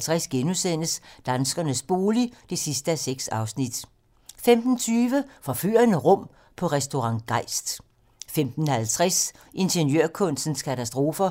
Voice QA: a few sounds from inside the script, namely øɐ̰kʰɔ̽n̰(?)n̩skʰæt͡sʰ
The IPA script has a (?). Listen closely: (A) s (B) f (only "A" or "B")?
A